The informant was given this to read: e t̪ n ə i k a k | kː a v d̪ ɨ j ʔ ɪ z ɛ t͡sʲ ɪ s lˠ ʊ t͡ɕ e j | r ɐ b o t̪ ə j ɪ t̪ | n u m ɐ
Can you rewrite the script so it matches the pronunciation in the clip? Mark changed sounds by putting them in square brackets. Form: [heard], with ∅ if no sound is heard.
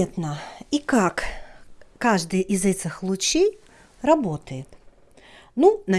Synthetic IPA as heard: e t̪ n ə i k a k | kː a [ʐ] d̪ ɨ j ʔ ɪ z ɛ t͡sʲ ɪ [x] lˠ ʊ t͡ɕ e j | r ɐ b o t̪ ə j ɪ t̪ | n u [n] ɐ

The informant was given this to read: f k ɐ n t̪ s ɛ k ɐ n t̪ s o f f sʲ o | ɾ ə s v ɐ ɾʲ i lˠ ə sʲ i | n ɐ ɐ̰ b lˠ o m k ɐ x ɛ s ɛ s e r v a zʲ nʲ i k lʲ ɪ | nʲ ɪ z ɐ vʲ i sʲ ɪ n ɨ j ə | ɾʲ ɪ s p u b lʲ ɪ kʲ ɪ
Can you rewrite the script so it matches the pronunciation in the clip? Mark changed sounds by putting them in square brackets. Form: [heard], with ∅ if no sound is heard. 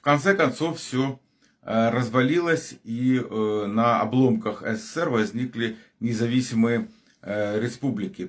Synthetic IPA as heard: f k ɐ n t̪ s ɛ k ɐ n t̪ s o f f sʲ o | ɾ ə [z] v ɐ [lʲ] i lˠ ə sʲ i | n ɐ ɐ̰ b lˠ o m k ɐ x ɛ s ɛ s [ɛ] r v [ɐ] zʲ nʲ i k lʲ ɪ | nʲ ɪ z ɐ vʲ i sʲ ɪ [m] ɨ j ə | ɾʲ ɪ s p u b lʲ ɪ kʲ ɪ

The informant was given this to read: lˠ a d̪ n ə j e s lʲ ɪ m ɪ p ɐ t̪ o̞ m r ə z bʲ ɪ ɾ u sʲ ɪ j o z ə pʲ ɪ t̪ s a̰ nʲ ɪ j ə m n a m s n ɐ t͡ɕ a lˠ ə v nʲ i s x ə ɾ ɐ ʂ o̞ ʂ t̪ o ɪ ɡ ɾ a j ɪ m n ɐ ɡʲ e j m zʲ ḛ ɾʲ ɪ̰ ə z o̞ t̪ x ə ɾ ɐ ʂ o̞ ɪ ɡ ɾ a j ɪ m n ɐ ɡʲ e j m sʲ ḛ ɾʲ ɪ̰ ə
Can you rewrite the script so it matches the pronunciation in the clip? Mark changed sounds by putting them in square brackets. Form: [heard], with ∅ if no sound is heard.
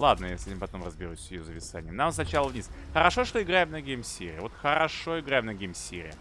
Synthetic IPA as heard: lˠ a d̪ n ə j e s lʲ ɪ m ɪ p ɐ t̪ o̞ m r ə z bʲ ɪ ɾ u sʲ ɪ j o z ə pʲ ɪ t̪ s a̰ nʲ ɪ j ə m n a m s n ɐ t͡ɕ a lˠ ə v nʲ i s x ə ɾ ɐ ʂ o̞ ʂ t̪ o ɪ ɡ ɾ a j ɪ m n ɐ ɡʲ e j m [sʲ] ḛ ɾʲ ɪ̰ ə [v] o̞ t̪ x ə ɾ ɐ ʂ o̞ ɪ ɡ ɾ a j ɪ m n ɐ ɡʲ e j m sʲ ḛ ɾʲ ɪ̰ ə

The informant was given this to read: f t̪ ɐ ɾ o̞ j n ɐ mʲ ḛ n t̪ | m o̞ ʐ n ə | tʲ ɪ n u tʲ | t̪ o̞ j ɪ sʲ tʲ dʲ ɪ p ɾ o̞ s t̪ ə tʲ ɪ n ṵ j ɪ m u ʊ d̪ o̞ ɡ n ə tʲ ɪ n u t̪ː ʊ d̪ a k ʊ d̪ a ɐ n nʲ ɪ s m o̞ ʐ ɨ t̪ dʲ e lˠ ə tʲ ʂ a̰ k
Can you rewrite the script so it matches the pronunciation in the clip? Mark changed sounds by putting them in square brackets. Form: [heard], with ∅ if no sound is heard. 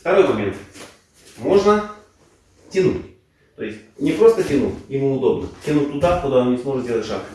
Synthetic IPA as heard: f t̪ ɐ ɾ o̞ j [m] ɐ mʲ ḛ n t̪ | m o̞ ʐ n ə | tʲ ɪ n u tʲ | t̪ o̞ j ɪ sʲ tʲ [nʲ] ɪ p ɾ o̞ s t̪ ə tʲ ɪ n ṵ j ɪ m u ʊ d̪ o̞ [b] n ə tʲ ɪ n u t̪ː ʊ d̪ a k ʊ d̪ a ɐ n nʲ ɪ s m o̞ ʐ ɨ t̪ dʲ e lˠ ə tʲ ʂ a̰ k

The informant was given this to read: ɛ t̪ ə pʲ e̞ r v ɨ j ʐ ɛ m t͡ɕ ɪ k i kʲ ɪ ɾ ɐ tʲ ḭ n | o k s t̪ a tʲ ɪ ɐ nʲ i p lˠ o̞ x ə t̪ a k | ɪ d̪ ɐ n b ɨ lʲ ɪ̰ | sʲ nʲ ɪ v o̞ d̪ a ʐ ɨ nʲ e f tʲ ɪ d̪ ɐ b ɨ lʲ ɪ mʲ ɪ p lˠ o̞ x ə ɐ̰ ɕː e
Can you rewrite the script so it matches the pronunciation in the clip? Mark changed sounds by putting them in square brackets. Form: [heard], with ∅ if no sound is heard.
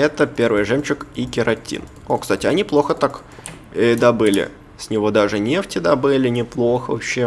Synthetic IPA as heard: ɛ t̪ ə pʲ e̞ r v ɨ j ʐ ɛ m t͡ɕ ɪ k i kʲ ɪ ɾ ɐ tʲ ḭ n | o k s t̪ a tʲ ɪ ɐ nʲ i p lˠ o̞ x ə t̪ a k | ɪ d̪ ɐ [∅] b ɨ lʲ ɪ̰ | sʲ nʲ ɪ v o̞ d̪ a ʐ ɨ nʲ e f tʲ ɪ d̪ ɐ b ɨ lʲ ɪ [nʲ] ɪ p lˠ o̞ x ə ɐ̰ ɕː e

